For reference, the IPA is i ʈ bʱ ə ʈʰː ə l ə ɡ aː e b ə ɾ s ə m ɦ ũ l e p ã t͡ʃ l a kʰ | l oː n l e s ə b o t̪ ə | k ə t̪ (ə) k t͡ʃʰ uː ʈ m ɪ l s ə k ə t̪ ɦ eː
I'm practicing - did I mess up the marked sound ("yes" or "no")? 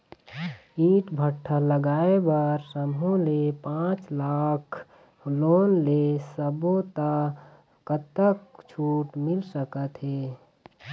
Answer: no